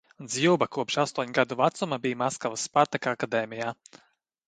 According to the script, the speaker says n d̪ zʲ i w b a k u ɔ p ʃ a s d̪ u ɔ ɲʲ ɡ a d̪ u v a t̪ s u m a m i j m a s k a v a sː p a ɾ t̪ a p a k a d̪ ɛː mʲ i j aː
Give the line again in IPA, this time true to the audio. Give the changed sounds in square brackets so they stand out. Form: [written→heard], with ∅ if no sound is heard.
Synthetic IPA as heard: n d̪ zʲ i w b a k u ɔ p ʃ a s [d̪→t̪] u ɔ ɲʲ ɡ a d̪ u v a t̪ s u m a [m→b] i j m a s k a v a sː p a ɾ t̪ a [p→k] a k a d̪ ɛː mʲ i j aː